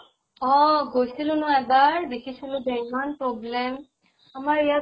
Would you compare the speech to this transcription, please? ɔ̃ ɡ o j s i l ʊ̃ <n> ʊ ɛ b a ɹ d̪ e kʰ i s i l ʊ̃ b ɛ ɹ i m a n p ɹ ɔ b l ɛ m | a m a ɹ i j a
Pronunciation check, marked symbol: correct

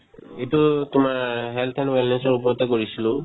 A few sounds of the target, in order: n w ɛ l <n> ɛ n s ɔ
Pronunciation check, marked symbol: correct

